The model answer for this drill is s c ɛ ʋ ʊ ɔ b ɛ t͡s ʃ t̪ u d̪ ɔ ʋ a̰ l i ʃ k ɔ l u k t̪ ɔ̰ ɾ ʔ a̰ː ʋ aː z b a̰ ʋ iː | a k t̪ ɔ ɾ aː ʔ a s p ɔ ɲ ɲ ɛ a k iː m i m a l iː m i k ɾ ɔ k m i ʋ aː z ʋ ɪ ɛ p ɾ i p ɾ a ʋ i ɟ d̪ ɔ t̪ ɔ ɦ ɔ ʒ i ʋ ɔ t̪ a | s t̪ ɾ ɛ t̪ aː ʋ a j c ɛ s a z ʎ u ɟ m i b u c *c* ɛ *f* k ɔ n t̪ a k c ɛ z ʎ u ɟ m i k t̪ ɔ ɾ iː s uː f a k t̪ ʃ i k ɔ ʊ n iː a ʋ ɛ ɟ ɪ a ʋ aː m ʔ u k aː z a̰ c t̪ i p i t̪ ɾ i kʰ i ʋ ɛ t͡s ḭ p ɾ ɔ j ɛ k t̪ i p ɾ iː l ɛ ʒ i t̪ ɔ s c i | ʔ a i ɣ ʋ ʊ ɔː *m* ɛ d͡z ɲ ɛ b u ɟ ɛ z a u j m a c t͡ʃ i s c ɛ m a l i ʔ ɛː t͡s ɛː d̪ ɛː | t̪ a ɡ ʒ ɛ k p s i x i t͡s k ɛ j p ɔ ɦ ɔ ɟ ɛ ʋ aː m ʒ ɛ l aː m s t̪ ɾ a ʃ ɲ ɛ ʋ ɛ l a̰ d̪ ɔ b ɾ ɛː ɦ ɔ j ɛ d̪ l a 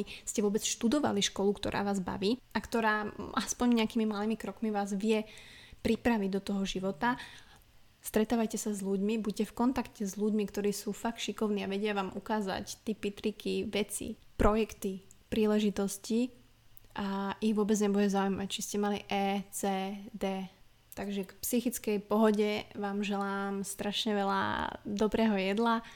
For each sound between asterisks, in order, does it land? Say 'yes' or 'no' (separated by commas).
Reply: yes, yes, no